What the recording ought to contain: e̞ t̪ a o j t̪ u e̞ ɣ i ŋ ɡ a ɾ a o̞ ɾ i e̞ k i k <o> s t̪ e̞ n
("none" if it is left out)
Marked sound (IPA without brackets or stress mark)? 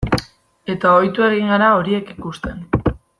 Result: u